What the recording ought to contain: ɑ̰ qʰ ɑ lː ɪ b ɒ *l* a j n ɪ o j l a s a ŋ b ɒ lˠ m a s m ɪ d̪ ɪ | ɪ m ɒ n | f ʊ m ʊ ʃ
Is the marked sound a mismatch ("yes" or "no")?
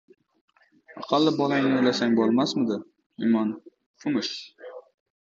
no